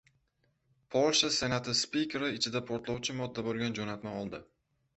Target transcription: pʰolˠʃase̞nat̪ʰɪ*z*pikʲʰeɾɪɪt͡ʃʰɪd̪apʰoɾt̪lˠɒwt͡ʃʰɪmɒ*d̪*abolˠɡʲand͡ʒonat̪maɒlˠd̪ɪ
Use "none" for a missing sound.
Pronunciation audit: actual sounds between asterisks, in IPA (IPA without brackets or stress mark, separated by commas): s, d̪ː